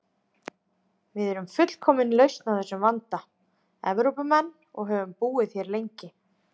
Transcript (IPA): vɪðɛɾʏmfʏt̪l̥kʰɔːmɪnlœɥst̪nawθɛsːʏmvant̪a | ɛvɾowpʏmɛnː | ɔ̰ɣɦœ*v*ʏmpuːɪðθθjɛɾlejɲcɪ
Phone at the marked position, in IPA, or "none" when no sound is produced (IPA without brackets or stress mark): v